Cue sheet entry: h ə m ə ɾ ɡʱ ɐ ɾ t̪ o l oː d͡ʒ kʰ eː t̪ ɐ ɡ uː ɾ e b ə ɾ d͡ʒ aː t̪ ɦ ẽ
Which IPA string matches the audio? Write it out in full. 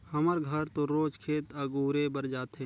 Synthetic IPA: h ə m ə ɾ ɡʱ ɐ ɾ t̪ o ɾ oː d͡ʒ kʰ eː t̪ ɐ ɡ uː ɾ e b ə ɾ d͡ʒ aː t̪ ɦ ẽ